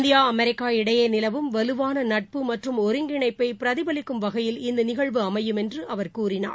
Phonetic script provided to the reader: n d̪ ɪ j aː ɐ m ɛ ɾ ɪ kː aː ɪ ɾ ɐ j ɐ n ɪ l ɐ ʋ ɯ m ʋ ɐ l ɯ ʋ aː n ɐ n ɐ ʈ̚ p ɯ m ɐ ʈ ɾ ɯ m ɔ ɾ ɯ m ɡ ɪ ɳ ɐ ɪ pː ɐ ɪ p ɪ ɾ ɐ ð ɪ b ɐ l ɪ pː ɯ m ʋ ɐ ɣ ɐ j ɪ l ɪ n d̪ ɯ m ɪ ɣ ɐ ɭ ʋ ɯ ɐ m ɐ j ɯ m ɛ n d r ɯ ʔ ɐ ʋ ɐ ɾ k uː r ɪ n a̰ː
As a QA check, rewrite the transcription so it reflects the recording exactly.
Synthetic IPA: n d̪ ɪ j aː ɐ m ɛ ɾ ɪ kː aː ɪ ɽ ɐ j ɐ n ɪ l ɐ ʋ ɯ m ʋ ɐ l ɯ ʋ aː n ɐ n ɐ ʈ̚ p ɯ m ɐ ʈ r ɯ m ɔ ɾ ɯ ŋ ɡ ɪ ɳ ɐ ɪ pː ɐ ɪ p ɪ ɾ ɐ ð ɪ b ɐ l ɪ kː ɯ m ʋ ɐ ɣ ɐ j ɪ l ɪ n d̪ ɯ n ɪ ɣ ɐ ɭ ʋ ɯ ɐ m ɐ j ɯ m ɛ n d r ɯ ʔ ɐ ʋ ɐ ɾ k uː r ɪ n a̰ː